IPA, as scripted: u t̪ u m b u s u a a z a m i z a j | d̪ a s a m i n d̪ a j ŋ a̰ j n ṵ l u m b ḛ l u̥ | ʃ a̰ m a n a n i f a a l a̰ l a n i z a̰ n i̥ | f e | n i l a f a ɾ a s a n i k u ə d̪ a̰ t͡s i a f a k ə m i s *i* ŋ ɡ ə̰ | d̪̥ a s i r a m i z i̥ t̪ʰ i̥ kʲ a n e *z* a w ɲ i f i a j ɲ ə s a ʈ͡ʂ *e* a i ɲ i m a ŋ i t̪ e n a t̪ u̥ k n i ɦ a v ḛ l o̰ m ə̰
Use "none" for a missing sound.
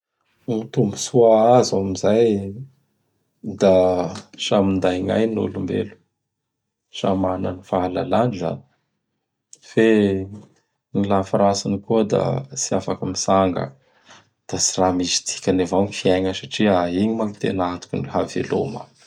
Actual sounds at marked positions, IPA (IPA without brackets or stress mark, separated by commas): a, v, i